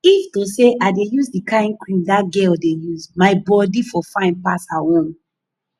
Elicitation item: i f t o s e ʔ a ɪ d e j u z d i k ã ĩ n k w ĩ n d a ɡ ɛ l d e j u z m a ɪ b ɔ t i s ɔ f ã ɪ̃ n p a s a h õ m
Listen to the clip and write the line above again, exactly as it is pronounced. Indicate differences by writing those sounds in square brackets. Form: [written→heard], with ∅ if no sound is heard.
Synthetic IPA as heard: i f t o s e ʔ a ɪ d e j u z d i k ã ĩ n k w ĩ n d a ɡ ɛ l d e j u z m a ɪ b ɔ [t→d] i [s→f] ɔ f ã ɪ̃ n p a s a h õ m